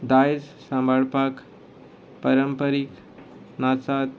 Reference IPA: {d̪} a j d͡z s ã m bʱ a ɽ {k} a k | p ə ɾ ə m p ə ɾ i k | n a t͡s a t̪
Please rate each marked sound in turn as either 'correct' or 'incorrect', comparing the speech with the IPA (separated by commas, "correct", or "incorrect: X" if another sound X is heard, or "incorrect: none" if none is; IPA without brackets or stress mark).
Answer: correct, incorrect: p